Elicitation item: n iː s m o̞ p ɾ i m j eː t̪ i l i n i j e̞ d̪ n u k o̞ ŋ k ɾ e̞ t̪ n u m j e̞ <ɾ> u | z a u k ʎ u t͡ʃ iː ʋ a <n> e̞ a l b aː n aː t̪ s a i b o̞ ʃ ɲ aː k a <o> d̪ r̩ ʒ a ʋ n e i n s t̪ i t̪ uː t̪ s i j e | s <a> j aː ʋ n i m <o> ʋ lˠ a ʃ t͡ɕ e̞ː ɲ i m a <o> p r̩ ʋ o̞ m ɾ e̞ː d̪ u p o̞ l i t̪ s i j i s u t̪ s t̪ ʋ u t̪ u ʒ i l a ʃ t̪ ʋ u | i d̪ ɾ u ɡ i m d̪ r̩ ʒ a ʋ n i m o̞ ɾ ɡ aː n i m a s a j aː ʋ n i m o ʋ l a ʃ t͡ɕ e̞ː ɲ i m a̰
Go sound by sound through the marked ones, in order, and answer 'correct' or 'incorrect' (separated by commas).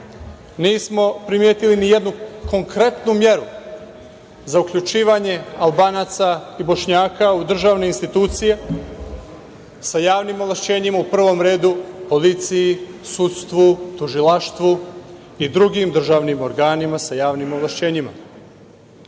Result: correct, incorrect, incorrect, correct, correct, incorrect